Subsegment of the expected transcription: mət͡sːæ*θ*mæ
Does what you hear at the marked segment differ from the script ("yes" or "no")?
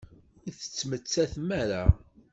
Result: no